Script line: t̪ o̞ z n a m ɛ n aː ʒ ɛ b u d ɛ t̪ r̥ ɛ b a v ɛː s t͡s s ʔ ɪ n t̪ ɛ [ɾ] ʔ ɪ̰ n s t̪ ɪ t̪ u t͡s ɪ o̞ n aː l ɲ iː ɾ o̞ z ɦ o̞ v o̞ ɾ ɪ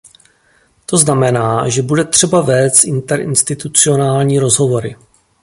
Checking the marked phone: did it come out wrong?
no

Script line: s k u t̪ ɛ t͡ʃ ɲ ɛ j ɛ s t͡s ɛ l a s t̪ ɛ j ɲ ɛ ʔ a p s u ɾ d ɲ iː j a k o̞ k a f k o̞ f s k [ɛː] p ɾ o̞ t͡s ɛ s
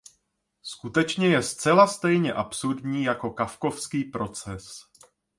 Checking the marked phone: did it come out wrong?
yes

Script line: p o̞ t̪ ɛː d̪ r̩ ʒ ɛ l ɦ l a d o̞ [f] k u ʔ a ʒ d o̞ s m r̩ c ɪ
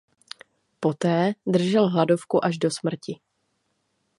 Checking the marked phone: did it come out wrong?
no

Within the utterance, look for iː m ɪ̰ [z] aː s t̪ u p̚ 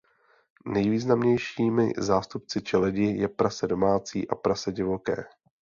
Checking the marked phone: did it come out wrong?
no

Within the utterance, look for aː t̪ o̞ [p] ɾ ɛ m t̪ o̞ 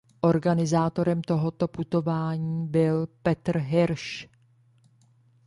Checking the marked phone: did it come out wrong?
yes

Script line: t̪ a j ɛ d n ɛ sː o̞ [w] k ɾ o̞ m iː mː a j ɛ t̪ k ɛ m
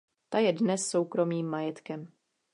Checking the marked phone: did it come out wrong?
no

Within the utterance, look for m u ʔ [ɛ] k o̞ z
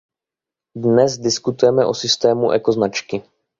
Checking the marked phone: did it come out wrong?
no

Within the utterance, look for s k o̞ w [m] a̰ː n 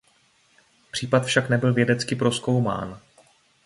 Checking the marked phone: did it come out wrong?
no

